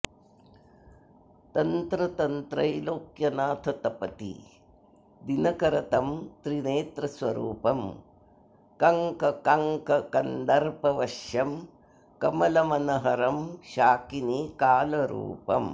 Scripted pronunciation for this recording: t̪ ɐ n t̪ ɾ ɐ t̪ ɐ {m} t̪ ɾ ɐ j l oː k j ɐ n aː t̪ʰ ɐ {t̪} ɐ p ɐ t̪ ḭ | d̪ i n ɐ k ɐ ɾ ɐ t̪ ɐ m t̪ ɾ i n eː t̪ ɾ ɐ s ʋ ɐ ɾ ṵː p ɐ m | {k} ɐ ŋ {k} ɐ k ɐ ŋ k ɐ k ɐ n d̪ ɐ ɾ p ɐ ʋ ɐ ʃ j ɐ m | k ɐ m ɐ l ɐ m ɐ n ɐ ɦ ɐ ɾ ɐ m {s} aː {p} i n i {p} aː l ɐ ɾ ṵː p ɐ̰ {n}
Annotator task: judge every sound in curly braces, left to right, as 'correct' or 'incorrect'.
incorrect: n, correct, correct, correct, incorrect: ʃ, incorrect: k, incorrect: k, incorrect: m

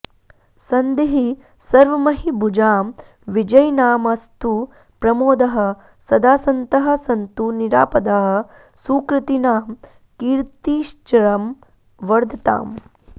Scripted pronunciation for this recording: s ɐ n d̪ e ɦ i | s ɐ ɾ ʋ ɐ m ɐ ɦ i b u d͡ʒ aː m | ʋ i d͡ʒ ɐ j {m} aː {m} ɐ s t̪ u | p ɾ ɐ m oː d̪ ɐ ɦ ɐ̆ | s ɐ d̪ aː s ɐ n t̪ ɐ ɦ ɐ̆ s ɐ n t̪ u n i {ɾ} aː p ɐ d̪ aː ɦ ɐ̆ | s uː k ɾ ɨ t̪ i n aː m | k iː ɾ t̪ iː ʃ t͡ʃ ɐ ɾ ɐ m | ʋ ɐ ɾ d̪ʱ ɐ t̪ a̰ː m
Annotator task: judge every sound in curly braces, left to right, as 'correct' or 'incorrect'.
incorrect: n, correct, correct

